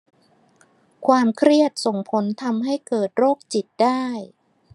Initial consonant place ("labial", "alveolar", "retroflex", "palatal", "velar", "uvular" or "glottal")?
velar